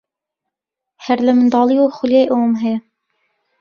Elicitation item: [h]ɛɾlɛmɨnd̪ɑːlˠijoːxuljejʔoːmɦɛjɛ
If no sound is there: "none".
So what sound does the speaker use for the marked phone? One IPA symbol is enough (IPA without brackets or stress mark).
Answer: h